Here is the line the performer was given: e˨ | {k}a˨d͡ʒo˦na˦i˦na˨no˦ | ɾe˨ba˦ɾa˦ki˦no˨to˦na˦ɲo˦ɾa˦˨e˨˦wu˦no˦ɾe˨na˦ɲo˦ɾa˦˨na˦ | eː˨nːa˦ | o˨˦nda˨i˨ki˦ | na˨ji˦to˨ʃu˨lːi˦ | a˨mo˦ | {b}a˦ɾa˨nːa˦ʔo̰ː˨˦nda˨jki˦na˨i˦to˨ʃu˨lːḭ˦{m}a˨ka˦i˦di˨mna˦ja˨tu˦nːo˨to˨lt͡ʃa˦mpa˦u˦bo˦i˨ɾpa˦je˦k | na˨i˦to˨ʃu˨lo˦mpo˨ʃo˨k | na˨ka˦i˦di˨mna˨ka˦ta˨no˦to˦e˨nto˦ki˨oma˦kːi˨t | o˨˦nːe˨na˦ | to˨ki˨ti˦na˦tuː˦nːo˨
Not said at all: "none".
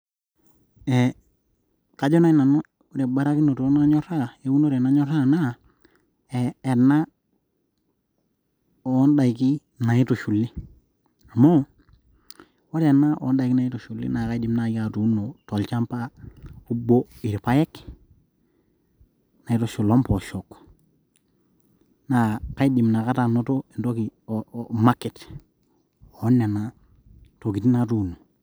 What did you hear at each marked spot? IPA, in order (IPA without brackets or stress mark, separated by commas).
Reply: k, w, n